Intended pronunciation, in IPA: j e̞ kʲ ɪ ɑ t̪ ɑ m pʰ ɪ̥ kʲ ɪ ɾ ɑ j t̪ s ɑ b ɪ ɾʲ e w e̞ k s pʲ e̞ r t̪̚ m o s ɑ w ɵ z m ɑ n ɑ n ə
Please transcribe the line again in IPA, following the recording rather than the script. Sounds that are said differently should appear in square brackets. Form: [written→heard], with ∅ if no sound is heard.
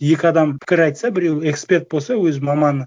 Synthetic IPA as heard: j e̞ kʲ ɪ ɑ [t̪→d̪] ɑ m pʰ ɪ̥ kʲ ɪ ɾ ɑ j t̪ s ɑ b ɪ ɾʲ e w e̞ k s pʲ e̞ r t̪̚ [m→b] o s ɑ w ɵ z m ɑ [n→m] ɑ n ə